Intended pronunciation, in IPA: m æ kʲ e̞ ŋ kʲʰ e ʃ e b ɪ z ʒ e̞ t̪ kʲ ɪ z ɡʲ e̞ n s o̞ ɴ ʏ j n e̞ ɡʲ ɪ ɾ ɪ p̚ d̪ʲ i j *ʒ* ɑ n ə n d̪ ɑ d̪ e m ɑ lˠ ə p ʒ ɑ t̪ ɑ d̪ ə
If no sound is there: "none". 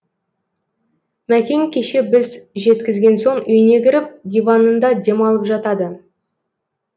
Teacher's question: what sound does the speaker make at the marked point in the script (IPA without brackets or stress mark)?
v